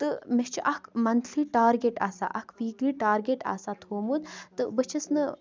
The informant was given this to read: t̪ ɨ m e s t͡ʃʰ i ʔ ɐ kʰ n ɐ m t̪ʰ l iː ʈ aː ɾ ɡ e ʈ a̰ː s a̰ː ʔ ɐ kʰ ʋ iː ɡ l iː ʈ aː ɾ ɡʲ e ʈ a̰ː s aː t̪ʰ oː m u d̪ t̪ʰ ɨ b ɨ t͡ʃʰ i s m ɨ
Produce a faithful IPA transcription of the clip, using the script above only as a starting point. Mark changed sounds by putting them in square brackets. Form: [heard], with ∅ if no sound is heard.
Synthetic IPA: t̪ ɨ m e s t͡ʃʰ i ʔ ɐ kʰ [m] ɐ [n] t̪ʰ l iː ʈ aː ɾ ɡ e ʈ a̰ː s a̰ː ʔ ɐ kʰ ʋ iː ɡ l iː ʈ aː ɾ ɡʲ e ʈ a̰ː s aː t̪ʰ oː m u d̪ [t̪] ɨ b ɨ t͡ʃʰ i s [n] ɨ